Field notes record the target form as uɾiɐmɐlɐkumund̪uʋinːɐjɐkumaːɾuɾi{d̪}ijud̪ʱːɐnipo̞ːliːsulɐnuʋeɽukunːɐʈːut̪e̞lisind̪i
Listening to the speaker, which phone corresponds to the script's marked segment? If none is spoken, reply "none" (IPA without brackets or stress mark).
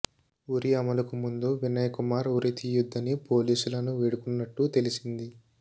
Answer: t̪